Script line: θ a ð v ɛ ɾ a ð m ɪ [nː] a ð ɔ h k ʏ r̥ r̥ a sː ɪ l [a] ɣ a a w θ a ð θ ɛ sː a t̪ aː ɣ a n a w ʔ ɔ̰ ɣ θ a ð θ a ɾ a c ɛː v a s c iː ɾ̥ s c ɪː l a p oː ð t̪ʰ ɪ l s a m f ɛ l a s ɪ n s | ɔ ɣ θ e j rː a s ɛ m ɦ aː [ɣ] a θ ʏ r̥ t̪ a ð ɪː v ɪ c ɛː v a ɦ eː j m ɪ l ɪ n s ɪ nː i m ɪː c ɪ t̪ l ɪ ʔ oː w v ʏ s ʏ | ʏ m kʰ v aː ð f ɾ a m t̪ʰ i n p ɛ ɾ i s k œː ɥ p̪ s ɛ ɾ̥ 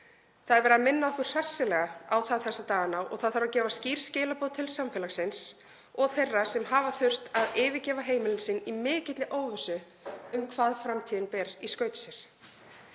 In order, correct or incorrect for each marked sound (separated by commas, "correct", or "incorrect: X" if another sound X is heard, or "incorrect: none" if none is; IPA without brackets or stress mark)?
correct, incorrect: ɛ, incorrect: v